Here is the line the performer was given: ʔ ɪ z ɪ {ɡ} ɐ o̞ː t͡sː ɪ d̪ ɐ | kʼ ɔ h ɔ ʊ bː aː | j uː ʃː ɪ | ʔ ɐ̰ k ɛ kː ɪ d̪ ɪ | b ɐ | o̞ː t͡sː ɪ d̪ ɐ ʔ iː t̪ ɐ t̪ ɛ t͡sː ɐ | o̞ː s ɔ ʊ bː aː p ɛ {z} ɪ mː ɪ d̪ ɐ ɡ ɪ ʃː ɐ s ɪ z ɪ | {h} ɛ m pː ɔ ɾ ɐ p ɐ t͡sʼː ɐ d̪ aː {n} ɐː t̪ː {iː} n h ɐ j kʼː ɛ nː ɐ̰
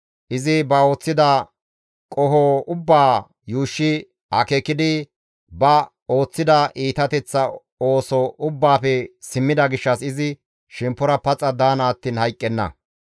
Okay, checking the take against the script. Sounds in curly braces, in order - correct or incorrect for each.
incorrect, incorrect, incorrect, correct, correct

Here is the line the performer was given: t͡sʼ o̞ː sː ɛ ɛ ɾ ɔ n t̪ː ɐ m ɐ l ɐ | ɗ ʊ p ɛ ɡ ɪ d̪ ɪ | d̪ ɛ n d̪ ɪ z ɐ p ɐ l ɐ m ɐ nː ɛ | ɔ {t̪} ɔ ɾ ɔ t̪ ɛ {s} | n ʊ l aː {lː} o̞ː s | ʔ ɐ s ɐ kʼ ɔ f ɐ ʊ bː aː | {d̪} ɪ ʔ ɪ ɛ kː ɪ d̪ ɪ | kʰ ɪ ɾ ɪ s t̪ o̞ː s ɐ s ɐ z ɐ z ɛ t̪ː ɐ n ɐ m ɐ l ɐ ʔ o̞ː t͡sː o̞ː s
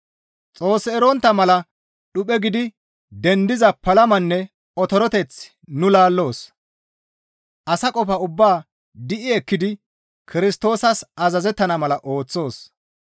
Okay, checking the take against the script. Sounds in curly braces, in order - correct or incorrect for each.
correct, incorrect, correct, correct

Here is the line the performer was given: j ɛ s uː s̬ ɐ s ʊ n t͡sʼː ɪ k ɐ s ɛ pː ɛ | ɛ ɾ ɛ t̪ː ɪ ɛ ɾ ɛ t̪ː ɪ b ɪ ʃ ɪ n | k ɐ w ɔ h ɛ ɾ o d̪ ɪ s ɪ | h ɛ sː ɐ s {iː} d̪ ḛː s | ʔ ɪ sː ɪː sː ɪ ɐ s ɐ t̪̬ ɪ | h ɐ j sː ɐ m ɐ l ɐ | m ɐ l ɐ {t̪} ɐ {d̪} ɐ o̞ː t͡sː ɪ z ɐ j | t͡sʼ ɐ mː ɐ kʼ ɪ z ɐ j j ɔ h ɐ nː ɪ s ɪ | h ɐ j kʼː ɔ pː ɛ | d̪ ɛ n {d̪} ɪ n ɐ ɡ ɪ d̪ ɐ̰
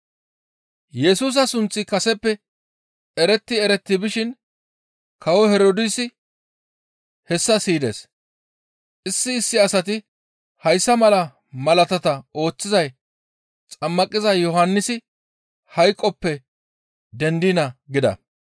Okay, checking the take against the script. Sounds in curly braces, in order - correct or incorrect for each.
correct, correct, incorrect, correct

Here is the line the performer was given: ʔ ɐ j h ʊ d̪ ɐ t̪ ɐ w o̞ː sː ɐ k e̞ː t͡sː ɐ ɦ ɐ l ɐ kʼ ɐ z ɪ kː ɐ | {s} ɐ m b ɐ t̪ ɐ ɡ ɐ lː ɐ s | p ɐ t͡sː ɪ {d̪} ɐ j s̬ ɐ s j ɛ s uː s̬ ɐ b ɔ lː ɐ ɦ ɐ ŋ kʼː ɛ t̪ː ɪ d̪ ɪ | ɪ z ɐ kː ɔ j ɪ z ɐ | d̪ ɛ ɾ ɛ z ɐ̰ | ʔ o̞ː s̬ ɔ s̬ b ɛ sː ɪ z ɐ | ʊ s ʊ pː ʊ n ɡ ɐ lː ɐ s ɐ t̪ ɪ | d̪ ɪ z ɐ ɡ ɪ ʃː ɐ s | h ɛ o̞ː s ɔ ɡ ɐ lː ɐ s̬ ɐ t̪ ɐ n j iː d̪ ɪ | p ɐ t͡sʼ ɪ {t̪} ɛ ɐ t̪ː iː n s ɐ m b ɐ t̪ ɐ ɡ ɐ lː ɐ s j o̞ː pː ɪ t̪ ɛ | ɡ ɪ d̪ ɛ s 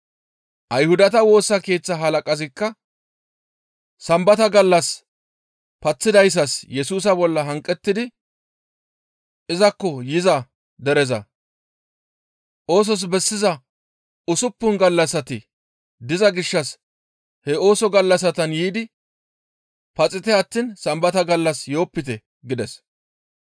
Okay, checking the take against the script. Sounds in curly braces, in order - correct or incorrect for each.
correct, correct, correct

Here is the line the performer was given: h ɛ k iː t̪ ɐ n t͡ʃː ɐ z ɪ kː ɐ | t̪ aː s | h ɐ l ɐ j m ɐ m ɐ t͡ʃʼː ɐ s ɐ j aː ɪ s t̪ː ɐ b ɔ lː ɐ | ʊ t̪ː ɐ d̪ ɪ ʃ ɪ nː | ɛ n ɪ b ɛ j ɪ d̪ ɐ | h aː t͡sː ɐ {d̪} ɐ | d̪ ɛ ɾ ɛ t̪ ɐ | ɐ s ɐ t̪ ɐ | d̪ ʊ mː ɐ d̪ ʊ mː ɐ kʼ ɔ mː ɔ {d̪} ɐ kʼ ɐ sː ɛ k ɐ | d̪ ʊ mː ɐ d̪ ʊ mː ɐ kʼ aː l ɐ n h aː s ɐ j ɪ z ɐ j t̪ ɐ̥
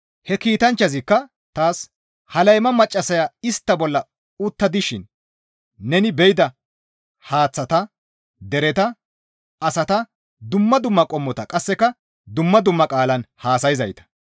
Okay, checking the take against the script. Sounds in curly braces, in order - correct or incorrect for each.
incorrect, incorrect

